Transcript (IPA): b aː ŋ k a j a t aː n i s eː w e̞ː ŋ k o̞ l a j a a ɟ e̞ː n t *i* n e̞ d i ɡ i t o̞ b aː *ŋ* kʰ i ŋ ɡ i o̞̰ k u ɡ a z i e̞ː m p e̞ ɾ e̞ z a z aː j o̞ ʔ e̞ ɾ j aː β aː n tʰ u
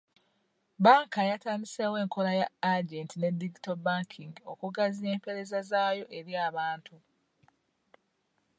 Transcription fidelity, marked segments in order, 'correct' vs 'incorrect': correct, correct

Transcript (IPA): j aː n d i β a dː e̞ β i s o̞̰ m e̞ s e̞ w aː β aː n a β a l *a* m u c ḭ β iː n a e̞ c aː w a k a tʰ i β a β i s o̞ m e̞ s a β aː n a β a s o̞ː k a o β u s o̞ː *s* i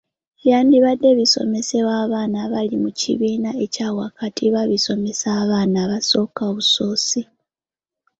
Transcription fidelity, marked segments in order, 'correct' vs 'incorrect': incorrect: i, correct

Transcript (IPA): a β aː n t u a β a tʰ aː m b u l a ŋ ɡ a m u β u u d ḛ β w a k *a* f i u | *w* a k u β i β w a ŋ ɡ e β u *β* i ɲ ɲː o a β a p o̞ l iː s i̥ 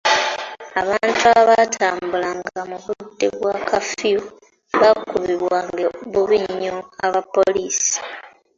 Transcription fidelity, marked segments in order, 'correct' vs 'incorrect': correct, incorrect: β, correct

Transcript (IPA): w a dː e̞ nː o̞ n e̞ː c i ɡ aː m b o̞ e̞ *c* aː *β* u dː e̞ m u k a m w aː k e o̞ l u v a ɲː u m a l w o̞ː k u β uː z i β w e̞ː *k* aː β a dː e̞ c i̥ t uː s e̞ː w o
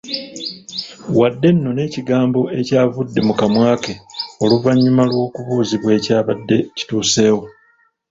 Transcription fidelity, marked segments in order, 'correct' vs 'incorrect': correct, incorrect: v, incorrect: c

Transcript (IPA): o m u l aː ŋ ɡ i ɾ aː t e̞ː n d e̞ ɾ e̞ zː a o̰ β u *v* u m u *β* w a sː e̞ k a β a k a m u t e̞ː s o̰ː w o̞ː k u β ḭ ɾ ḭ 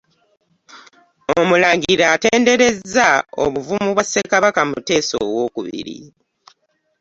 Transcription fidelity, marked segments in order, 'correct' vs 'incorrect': correct, correct

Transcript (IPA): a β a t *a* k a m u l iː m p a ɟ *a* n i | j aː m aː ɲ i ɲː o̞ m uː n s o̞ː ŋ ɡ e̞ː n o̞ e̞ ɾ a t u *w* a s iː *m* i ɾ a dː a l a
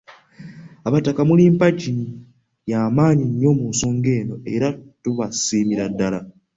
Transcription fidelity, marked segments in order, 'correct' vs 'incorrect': correct, incorrect: i, incorrect: β, correct

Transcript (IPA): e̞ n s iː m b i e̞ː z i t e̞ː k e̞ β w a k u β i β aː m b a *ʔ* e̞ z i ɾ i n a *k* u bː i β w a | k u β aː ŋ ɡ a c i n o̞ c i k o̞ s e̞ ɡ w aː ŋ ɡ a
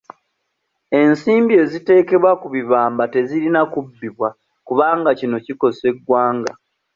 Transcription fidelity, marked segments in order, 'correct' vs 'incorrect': incorrect: t, correct

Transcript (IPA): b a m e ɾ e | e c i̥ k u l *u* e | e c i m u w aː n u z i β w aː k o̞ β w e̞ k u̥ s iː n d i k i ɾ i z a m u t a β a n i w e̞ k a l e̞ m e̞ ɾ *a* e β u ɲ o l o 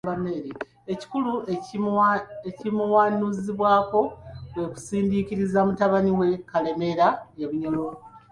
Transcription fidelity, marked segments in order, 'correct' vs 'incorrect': correct, correct

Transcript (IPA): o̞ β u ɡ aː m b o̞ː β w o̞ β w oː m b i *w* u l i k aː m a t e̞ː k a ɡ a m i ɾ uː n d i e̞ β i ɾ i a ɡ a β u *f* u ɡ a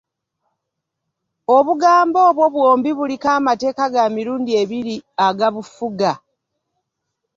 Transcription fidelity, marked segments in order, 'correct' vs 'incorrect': incorrect: β, correct

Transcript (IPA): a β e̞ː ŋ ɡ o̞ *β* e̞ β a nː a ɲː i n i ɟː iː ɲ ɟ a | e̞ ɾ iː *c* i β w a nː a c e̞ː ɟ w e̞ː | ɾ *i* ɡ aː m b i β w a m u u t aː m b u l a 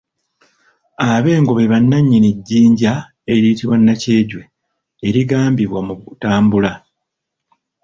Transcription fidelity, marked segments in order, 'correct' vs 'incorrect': correct, incorrect: t, correct

